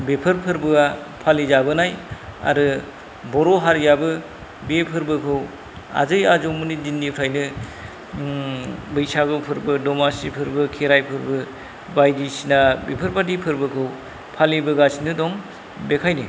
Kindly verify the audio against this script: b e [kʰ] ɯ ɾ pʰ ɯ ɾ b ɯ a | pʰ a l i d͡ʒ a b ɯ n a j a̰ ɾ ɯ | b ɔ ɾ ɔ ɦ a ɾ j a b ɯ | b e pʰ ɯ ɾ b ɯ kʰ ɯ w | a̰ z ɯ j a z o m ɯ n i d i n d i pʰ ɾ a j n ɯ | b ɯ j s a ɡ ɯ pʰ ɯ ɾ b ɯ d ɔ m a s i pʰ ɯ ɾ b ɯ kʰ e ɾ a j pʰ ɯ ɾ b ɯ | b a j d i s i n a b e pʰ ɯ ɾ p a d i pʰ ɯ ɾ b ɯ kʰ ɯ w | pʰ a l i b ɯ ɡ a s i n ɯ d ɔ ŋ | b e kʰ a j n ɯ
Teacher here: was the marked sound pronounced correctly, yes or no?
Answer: no